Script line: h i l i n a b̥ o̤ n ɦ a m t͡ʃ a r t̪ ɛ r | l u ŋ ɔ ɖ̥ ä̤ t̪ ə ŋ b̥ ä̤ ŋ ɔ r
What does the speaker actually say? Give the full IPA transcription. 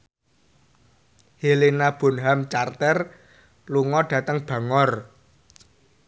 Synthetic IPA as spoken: h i l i n a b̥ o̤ n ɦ a m t͡ʃ a r t̪ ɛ r | l u ŋ ɔ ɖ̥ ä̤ t̪ ə ŋ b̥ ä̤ ŋ ɔ r